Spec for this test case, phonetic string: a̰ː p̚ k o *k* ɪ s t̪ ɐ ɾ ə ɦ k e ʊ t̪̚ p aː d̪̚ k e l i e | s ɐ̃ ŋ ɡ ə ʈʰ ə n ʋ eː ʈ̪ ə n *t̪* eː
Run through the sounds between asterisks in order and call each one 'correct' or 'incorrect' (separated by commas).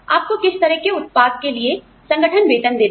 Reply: correct, incorrect